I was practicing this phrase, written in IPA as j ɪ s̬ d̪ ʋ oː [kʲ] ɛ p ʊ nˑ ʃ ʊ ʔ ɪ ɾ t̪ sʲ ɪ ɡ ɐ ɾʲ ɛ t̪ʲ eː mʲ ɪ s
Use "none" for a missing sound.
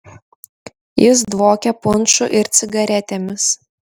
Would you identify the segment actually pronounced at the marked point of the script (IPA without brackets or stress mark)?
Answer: kʲ